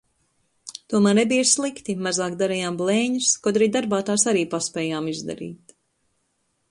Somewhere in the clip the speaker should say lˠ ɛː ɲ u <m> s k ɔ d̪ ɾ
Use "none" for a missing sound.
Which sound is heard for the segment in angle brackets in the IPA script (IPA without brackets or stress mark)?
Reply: none